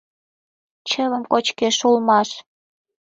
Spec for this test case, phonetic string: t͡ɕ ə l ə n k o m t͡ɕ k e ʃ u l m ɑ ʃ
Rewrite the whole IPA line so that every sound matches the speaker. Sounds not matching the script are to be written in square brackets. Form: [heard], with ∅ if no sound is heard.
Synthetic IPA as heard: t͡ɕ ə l ə [m] k o [∅] t͡ɕ k e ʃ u l m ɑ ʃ